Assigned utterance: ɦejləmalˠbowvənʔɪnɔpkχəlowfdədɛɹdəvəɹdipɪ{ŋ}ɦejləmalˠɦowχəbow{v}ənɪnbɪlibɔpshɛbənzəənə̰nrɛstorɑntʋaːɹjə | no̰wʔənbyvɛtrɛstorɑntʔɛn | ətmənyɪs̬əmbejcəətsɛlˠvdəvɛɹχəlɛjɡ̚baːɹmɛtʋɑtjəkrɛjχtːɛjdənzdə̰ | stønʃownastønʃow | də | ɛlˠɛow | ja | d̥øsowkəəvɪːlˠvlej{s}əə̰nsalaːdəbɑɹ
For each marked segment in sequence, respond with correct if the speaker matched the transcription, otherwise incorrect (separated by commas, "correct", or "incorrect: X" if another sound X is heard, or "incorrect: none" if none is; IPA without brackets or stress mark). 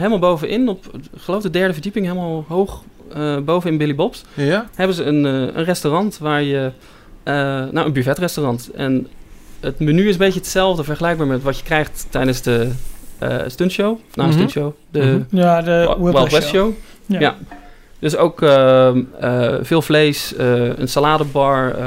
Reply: correct, correct, correct